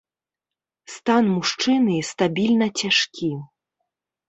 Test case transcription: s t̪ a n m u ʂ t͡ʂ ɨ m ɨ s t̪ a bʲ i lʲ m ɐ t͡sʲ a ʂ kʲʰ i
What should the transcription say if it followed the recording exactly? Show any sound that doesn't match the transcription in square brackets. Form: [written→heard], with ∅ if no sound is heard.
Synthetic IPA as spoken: s t̪ a n m u ʂ t͡ʂ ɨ [m→n] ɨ s t̪ a bʲ i lʲ [m→n] ɐ t͡sʲ a ʂ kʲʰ i